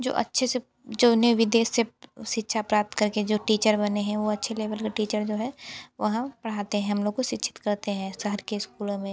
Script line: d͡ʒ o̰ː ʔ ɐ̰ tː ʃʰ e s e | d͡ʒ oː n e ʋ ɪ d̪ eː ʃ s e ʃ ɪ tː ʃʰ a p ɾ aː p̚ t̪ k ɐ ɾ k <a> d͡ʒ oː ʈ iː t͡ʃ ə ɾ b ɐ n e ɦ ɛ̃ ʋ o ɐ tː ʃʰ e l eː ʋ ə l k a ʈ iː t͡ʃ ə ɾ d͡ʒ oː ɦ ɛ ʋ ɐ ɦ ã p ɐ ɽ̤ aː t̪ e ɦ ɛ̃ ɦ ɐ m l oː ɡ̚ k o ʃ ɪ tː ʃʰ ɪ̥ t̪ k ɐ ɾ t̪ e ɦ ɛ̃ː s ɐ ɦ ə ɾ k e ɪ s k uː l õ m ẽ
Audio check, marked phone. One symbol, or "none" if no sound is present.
e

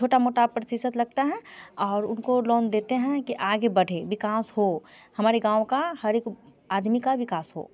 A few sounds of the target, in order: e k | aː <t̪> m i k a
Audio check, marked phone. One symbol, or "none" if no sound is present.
d̪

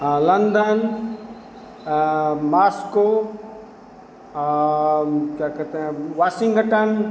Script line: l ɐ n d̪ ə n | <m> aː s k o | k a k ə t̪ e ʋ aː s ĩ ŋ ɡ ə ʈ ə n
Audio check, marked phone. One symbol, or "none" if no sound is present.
m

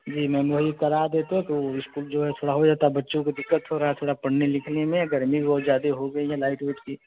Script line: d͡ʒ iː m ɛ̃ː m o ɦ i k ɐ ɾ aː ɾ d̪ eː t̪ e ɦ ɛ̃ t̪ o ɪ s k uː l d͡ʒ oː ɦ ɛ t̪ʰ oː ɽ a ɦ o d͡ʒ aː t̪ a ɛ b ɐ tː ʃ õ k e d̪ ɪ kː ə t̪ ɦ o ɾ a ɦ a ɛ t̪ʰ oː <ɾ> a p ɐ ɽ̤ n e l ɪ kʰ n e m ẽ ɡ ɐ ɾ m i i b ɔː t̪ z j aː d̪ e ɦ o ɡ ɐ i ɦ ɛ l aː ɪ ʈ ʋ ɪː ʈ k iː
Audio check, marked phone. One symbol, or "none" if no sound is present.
ɽ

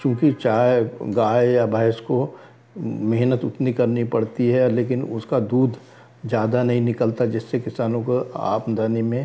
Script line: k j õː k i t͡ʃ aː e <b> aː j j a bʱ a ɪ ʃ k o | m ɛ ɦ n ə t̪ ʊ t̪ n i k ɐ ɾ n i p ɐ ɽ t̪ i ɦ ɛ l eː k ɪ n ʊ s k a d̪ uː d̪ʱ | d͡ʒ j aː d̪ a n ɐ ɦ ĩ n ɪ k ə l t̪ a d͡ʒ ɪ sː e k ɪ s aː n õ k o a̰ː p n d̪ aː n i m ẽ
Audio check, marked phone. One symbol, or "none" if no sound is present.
ɡ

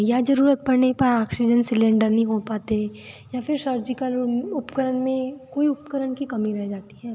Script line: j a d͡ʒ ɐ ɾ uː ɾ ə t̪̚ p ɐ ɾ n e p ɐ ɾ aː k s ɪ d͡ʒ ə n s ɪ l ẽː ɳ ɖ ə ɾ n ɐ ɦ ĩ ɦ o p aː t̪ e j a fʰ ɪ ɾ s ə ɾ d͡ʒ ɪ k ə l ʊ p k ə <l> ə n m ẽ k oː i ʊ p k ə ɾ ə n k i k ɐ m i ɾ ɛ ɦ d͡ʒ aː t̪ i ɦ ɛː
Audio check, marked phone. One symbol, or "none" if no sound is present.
ɾ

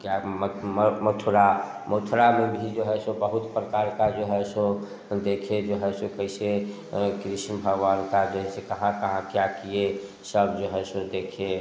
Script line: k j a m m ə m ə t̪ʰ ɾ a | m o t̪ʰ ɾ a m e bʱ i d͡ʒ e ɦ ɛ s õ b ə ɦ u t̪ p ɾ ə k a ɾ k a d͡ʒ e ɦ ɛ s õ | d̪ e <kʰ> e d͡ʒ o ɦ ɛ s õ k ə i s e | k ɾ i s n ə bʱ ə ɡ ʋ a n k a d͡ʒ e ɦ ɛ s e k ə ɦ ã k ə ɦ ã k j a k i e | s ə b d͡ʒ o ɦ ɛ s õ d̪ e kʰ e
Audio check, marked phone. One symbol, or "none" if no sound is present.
kʰ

